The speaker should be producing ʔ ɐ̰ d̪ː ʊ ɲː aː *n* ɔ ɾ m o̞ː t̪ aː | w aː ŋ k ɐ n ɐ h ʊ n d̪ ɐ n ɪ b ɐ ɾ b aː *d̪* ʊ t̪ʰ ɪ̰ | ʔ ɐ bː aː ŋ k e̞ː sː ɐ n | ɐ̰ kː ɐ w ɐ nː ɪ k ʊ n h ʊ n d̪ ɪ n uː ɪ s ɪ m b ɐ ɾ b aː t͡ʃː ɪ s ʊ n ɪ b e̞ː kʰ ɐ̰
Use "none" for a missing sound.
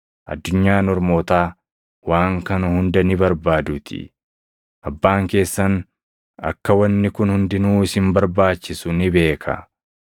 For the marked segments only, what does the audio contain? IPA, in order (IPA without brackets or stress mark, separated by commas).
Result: n, d̪